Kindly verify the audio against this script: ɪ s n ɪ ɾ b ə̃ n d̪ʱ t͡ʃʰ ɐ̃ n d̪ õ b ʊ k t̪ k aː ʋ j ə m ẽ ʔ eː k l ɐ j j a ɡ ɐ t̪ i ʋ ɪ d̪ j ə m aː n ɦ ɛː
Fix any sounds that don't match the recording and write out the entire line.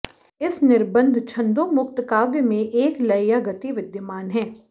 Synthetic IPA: ɪ s n ɪ ɾ b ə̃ n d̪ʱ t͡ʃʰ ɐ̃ n d̪ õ m ʊ k t̪ k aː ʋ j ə m ẽ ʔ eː k l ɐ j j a ɡ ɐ t̪ i ʋ ɪ d̪ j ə m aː n ɦ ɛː